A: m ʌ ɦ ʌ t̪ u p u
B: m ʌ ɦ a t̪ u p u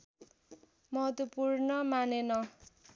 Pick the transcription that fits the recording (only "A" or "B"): A